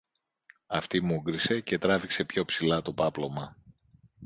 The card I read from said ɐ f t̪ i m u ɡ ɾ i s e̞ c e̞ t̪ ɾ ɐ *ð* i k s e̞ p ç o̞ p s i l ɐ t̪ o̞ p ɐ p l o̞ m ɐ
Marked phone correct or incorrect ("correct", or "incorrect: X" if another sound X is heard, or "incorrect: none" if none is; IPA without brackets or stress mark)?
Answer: incorrect: v